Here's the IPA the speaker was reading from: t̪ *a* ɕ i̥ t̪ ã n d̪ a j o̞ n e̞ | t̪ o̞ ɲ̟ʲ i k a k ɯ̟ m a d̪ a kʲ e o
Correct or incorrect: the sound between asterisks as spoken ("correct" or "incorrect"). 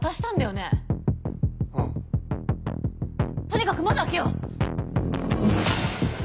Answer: correct